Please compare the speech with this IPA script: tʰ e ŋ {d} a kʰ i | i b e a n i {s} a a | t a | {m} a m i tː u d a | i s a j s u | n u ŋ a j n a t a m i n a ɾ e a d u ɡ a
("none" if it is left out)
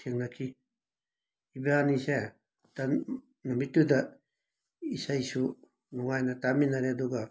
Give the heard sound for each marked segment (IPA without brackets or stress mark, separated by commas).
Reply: n, s, n